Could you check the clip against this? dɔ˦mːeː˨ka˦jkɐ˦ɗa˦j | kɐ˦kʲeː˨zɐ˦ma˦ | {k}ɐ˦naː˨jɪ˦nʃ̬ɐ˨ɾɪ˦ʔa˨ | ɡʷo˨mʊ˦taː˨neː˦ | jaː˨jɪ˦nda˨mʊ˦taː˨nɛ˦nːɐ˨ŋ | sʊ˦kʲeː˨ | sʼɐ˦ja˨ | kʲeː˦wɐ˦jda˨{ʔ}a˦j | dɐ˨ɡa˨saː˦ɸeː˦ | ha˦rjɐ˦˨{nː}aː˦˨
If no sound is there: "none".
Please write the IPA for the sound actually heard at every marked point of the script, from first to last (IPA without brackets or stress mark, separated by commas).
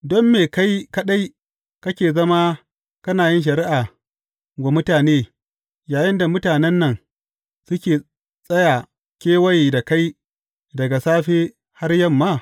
k, k, mː